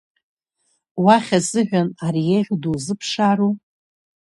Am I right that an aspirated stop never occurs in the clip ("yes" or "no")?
no